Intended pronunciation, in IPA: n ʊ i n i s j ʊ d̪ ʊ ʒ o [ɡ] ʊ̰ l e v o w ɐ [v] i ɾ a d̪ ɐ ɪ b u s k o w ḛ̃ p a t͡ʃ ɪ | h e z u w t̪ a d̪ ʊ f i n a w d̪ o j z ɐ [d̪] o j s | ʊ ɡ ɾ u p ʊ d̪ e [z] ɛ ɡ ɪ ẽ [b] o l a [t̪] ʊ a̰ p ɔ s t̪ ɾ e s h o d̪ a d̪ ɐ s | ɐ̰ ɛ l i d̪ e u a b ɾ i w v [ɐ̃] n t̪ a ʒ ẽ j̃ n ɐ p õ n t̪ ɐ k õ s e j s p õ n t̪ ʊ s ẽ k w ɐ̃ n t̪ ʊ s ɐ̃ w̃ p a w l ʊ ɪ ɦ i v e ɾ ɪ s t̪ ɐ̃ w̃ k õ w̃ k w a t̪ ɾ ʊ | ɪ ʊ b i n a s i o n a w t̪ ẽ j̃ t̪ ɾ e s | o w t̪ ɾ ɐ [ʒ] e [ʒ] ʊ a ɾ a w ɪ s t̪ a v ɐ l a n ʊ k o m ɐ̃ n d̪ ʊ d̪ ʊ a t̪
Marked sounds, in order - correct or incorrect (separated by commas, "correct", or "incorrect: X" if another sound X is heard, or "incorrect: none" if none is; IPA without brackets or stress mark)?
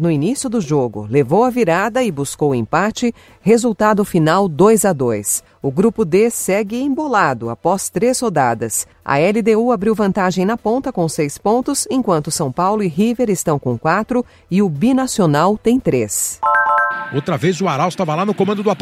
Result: correct, correct, correct, incorrect: s, correct, incorrect: d̪, correct, incorrect: v, incorrect: z